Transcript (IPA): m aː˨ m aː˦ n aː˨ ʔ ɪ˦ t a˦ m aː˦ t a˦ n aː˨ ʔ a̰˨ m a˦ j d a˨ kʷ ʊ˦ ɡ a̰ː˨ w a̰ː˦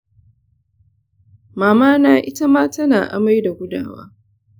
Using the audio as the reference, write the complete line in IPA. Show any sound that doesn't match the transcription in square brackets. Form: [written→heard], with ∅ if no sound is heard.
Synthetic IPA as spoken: m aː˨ m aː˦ n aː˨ ʔ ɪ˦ t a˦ m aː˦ t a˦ n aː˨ ʔ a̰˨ m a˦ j d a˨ [kʷ→ɡʷ] ʊ˦ [ɡ→d] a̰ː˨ w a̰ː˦